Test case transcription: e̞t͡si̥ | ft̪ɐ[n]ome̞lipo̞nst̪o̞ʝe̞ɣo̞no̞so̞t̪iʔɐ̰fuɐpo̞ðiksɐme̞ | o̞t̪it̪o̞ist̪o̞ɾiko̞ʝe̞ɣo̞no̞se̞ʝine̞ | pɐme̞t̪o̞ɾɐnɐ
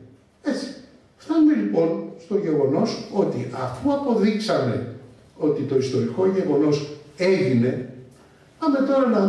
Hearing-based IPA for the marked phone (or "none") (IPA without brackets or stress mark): n